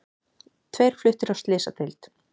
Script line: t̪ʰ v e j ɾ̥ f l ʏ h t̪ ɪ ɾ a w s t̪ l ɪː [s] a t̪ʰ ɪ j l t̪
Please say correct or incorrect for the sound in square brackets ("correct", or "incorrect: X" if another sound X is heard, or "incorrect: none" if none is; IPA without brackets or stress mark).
correct